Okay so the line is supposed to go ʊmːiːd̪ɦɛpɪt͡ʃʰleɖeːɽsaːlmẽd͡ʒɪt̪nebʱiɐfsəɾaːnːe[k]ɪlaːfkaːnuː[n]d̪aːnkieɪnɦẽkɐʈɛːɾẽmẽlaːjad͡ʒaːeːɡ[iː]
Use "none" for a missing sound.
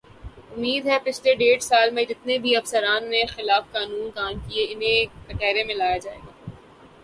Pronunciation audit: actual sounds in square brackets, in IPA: x, n, aː

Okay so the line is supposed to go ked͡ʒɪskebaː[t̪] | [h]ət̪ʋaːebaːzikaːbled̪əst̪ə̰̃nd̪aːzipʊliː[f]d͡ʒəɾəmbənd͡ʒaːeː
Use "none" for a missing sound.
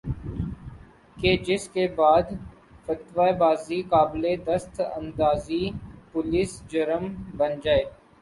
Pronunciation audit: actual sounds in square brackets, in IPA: d̪, f, s

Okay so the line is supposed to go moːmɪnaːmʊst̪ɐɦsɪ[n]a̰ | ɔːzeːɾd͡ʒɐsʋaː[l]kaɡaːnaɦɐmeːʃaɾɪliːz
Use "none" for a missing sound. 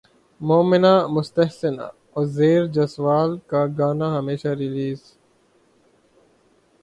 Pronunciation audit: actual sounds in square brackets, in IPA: n, l

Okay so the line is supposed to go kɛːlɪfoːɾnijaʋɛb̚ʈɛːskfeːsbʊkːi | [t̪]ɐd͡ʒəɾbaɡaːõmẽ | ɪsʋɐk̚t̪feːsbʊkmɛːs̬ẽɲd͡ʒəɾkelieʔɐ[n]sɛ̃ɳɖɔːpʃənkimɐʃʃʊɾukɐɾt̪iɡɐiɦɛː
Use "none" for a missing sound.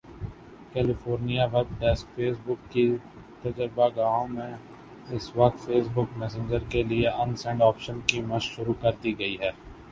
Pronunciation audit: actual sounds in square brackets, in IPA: t̪, n

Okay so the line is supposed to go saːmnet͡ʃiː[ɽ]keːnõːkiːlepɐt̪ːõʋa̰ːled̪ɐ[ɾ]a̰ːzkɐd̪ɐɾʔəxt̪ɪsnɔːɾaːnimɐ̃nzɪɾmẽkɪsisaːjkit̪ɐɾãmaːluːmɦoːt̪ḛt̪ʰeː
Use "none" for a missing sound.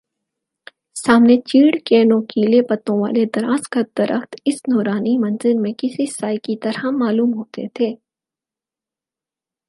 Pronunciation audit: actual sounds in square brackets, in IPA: ɽ, ɾ

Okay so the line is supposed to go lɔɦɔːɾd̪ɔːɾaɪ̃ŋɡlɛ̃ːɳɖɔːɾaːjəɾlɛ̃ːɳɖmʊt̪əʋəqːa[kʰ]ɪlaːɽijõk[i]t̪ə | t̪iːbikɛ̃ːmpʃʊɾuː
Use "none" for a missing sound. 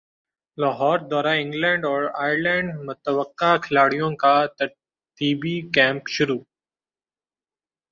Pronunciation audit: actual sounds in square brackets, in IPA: kʰ, a

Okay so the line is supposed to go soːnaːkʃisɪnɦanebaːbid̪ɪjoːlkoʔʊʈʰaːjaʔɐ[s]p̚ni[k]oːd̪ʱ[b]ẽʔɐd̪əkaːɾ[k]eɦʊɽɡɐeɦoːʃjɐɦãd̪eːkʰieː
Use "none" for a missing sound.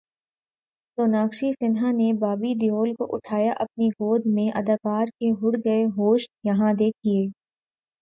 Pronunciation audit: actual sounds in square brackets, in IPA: none, ɡ, m, k

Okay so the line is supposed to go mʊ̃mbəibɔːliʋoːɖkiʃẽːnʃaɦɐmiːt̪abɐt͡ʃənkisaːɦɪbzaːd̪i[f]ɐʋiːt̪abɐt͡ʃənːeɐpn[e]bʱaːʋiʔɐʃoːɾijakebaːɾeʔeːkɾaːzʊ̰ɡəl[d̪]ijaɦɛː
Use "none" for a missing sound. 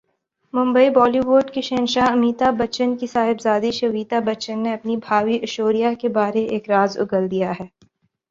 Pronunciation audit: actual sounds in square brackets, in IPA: ʃ, i, d̪

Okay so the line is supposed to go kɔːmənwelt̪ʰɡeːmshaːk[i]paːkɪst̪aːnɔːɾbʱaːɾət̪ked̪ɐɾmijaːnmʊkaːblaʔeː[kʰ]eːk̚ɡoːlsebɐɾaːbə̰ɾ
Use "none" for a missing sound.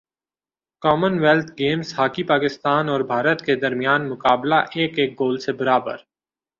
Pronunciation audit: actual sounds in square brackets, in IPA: i, k

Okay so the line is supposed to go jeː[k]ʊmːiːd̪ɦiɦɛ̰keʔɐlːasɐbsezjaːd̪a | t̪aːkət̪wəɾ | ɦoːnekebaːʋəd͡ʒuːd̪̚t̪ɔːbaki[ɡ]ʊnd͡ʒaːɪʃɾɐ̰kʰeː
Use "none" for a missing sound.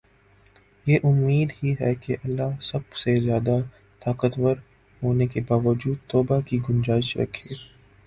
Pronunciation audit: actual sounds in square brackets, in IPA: ʔ, ɡ

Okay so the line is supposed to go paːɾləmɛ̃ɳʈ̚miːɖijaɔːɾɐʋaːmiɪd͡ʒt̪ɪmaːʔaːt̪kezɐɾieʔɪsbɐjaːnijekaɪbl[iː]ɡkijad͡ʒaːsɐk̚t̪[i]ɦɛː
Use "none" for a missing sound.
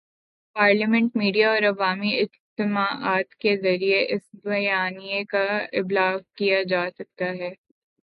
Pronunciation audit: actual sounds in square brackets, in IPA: aː, a

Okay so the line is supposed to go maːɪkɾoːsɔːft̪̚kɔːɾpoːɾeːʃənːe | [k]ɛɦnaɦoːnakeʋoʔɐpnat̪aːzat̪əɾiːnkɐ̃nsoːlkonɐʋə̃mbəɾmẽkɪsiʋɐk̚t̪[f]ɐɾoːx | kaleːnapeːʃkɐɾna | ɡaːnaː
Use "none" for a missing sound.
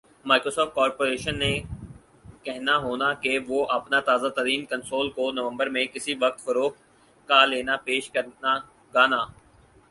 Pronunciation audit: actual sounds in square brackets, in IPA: k, f

